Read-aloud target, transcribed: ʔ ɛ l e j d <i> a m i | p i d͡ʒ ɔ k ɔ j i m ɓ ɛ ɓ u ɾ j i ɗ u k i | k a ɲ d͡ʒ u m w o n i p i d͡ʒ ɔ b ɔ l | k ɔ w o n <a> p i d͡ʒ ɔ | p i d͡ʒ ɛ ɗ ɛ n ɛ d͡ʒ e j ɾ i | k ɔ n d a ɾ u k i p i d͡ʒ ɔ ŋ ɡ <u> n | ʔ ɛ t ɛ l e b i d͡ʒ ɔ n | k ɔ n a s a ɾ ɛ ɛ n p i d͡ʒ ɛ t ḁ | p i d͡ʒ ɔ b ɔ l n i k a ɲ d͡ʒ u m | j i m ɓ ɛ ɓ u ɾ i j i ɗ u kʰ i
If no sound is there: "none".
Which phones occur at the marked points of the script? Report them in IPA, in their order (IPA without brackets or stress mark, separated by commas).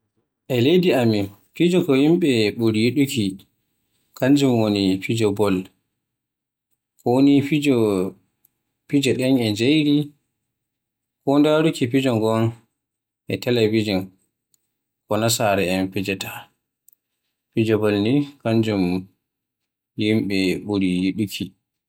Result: i, i, ɔ